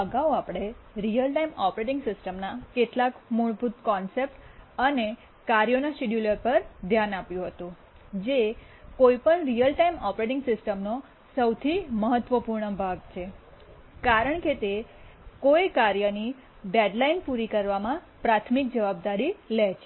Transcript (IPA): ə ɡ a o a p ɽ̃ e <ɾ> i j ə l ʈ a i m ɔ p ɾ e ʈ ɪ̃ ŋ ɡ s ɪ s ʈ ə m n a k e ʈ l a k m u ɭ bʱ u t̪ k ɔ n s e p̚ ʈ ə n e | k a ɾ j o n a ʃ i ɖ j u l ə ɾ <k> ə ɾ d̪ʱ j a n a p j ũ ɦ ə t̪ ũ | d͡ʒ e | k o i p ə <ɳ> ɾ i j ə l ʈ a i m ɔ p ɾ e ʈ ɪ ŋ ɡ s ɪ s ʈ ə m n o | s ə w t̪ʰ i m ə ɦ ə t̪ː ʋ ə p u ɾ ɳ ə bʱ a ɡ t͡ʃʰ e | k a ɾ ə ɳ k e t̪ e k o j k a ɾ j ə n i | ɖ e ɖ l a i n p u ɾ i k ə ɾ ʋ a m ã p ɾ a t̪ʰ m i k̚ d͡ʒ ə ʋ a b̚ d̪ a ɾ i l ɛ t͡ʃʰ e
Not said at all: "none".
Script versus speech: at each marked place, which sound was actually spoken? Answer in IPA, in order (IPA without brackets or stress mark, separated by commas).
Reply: ɾ, p, ɳ